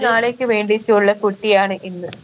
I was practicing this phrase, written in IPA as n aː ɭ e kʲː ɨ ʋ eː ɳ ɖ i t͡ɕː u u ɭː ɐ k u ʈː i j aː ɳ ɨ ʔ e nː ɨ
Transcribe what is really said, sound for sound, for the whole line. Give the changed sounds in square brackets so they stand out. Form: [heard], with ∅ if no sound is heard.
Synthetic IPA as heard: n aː ɭ e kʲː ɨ ʋ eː ɳ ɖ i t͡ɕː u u ɭː ɐ k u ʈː i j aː ɳ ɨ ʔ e nː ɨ